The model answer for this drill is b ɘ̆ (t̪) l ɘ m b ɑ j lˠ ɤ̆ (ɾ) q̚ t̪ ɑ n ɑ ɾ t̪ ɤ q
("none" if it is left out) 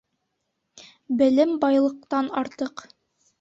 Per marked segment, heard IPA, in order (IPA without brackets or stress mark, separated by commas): none, none